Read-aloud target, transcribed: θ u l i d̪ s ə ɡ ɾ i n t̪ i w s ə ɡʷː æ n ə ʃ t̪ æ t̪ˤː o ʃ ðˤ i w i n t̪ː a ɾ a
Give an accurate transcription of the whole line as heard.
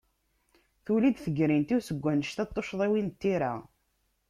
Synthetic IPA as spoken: θ u l i d̪ θ ə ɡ ɾ i n t̪ i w s ə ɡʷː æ n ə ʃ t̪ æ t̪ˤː o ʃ ðˤ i w i n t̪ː i ɾ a